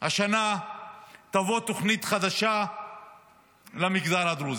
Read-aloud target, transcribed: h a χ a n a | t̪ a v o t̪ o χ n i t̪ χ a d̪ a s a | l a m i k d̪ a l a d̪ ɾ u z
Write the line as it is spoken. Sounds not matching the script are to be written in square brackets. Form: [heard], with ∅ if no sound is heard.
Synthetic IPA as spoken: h a [ʃ] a n a | t̪ a v o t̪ o χ n i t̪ χ a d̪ a [ʃ] a | l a m i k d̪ a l a d̪ ɾ u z